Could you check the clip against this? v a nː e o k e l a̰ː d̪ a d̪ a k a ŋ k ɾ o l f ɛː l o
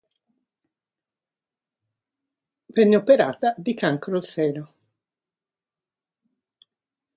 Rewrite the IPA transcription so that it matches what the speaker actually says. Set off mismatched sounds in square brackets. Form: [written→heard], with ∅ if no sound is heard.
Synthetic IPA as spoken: v [a→ɛ] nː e o [k→p] e [l→ɾ] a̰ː [d̪→t̪] a d̪ [a→i] k a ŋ k ɾ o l [f→s] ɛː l o

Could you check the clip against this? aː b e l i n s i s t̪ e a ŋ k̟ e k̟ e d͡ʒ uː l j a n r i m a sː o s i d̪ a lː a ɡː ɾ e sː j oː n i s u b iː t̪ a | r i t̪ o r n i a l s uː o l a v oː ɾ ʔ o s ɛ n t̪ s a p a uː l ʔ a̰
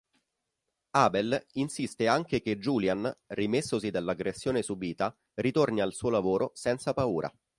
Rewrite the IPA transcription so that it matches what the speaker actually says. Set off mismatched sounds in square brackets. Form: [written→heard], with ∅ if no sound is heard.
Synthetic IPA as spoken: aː b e l i n s i s t̪ e a ŋ k̟ e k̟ e d͡ʒ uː l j a n r i m [a→e] sː o s i d̪ a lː a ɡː ɾ e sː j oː n [i→e] s u b iː t̪ a | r i t̪ o r n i a l s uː o l a v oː ɾ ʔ o s ɛ n t̪ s a p a uː [l→ɾ] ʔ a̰

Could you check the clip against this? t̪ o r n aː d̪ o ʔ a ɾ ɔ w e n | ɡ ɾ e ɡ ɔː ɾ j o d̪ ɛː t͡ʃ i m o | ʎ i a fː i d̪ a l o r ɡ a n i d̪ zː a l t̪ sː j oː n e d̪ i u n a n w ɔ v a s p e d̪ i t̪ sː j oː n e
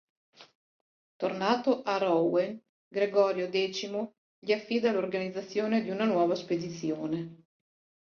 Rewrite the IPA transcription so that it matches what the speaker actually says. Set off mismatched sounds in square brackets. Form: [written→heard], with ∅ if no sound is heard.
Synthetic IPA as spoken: t̪ o r n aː [d̪→t̪] o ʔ a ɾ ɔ w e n | ɡ ɾ e ɡ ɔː ɾ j o d̪ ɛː t͡ʃ i m o | ʎ i a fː i d̪ a l o r ɡ a n i d̪ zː a [l→∅] t̪ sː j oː n e d̪ i u n a n w [ɔ→ɔː] v a s p e d̪ i t̪ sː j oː n e

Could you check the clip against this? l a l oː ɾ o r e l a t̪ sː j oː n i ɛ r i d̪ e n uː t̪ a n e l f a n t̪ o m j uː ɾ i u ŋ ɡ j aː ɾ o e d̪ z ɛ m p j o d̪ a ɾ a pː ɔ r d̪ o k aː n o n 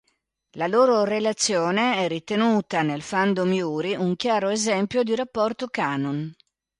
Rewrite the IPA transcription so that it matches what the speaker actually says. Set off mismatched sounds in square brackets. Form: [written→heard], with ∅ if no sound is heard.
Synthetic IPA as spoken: l a l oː ɾ o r e l a t̪ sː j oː n [i→e] ɛ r i [d̪→t̪] e n uː t̪ a n e l f a n [t̪→d̪] o m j uː ɾ i u ŋ [ɡ→k] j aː ɾ o e [d̪→∅] z ɛ m p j o d̪ [a→i] ɾ a pː ɔ r [d̪→t̪] o k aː n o n

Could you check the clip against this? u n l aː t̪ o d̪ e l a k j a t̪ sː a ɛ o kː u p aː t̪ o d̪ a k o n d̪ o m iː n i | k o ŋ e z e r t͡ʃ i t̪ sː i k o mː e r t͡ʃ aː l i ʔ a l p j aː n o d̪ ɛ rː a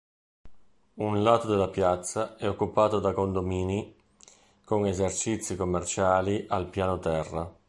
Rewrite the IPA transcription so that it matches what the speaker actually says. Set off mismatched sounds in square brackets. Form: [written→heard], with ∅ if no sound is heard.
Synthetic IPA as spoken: u n l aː t̪ o d̪ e l a [k→p] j a t̪ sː a ɛ o kː u p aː t̪ o d̪ a k o n d̪ o m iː n i | k o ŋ e z e r t͡ʃ i t̪ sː i k o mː e r t͡ʃ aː l i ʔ a l p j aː n o [d̪→t̪] ɛ rː a

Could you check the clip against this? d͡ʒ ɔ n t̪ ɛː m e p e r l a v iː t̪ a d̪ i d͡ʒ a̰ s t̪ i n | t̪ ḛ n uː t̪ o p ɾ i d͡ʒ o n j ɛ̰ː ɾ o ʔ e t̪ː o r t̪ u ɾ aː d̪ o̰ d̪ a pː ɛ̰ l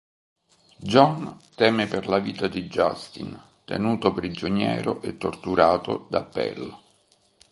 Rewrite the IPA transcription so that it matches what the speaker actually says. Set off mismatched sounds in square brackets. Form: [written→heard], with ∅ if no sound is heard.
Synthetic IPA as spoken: d͡ʒ ɔ n t̪ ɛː m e p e r l a v iː t̪ a d̪ i d͡ʒ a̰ s t̪ i n | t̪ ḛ n uː t̪ o p ɾ i d͡ʒ o n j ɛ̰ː ɾ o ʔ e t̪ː o r t̪ u ɾ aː [d̪→t̪] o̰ d̪ a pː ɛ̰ l

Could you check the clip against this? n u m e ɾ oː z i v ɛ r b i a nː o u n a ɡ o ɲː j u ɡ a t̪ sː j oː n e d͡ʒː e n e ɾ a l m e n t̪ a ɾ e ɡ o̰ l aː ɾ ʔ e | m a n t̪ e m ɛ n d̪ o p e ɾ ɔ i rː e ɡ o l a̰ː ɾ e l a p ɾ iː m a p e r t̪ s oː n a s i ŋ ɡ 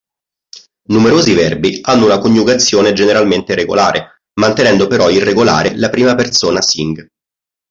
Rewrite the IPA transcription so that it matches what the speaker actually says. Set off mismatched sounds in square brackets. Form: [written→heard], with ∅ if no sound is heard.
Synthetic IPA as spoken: n u m e ɾ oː z i v ɛ r b i a nː o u n a [ɡ→k] o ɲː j u ɡ a t̪ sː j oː n e [d͡ʒː→d͡ʒ] e n e ɾ a l m e n t̪ [a→e] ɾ e ɡ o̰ l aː ɾ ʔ e | m a n t̪ e [m→n] ɛ n d̪ o p e ɾ ɔ i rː e ɡ o l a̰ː ɾ e l a p ɾ iː m a p e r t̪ s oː n a s i ŋ ɡ

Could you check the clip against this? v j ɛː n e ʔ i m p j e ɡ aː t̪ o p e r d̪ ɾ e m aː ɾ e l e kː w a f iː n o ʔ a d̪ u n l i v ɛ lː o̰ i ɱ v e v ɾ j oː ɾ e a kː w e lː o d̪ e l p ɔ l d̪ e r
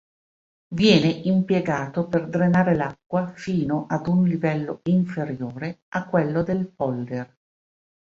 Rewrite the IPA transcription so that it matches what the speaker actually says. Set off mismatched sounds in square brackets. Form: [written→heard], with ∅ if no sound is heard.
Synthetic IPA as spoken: v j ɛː n e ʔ i m p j e ɡ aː t̪ o p e r d̪ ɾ e [m→n] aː ɾ e l [e→a] kː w a f iː n o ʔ a d̪ u n l i v ɛ lː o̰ i ɱ [v→f] e [v→∅] ɾ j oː ɾ e a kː w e lː o d̪ e l p ɔ l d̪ e r

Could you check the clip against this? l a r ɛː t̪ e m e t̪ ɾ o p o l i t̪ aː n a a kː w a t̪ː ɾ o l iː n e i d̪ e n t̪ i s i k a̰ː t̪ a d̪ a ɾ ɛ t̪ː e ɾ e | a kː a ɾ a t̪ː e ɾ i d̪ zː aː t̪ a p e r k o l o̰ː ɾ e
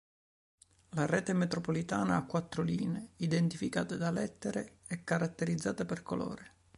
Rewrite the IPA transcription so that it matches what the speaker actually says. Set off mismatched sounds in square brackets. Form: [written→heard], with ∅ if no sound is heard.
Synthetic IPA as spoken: l a r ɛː t̪ e m e t̪ ɾ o p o l i t̪ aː n a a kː w a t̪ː ɾ o l iː n e i d̪ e n t̪ i [s→f] i k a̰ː t̪ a d̪ a [ɾ→l] ɛ t̪ː e ɾ e | [a→ɛ] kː a ɾ a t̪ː e ɾ i d̪ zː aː t̪ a p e r k o l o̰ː ɾ e

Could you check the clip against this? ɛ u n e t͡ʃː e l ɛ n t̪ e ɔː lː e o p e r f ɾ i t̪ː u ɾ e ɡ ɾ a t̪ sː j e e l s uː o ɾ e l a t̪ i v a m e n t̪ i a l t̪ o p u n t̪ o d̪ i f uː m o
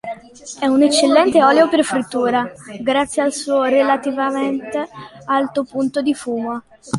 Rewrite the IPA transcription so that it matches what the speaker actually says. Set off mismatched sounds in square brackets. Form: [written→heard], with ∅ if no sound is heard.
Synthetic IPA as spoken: ɛ u n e t͡ʃː e [l→lː] ɛ n t̪ e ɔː [lː→l] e o p e r f ɾ i t̪ː [u→uː] ɾ [e→a] ɡ ɾ a t̪ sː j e [e→a] l s uː o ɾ e l a t̪ i v a m e n t̪ [i→e] a l t̪ o p u n t̪ o d̪ i f uː m o

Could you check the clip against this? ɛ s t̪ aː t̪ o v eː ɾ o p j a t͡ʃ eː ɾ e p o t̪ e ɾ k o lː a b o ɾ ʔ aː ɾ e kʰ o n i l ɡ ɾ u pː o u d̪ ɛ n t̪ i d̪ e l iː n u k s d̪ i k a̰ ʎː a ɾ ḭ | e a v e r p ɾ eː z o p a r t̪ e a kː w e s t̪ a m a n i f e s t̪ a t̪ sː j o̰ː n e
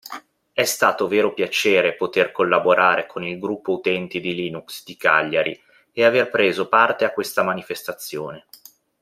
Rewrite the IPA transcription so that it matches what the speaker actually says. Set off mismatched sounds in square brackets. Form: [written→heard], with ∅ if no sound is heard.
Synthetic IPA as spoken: ɛ s t̪ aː t̪ o v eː ɾ o p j a t͡ʃ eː ɾ e p o t̪ e [ɾ→r] k o lː a b o ɾ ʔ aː ɾ e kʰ o n i l ɡ ɾ u pː o u [d̪→t̪] ɛ n t̪ i d̪ [e→i] l iː n u k s d̪ i k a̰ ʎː a ɾ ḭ | e a v e r p ɾ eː z o p a r t̪ e a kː w e s t̪ a m a n i f e s t̪ a t̪ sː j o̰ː n e

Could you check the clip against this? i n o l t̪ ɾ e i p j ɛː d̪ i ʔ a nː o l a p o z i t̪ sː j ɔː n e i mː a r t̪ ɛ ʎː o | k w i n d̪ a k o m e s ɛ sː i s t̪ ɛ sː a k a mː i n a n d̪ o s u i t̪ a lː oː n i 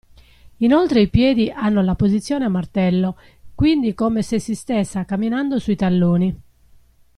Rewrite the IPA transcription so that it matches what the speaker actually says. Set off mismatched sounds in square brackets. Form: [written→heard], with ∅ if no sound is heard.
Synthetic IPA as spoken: i n o l t̪ ɾ e i p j ɛː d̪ i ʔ a nː o l a p o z i t̪ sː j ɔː n e [i→a] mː a r t̪ ɛ [ʎː→lː] o | k w i n d̪ [a→i] k o m e s [ɛ→e] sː i s t̪ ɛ sː a k a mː i n a n d̪ o s u i t̪ a lː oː n i

